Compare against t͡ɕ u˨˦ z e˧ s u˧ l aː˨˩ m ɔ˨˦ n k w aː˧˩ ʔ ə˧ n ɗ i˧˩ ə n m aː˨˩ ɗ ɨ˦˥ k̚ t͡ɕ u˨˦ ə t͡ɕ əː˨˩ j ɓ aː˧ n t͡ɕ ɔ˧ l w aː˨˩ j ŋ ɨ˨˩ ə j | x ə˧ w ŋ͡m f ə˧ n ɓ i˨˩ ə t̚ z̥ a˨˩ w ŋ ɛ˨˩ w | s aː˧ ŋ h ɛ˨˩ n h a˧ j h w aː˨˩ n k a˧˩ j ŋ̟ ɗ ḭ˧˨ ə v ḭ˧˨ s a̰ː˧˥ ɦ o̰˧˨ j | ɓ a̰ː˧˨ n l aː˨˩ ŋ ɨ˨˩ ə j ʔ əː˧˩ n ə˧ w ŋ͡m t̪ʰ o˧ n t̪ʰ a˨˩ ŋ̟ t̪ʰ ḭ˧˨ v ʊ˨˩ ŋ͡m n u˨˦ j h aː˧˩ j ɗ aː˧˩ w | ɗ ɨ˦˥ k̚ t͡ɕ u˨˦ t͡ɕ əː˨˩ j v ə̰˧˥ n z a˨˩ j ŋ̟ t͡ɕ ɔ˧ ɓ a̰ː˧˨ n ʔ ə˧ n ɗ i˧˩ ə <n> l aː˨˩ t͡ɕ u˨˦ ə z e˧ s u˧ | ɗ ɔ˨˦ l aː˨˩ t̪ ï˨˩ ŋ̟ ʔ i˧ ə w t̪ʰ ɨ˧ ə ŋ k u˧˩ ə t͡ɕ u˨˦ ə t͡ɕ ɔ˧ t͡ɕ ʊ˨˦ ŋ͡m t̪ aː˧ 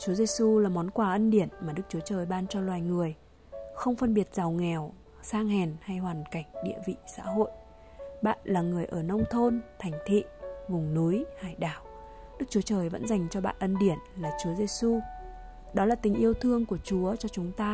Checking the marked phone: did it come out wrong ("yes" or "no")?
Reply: no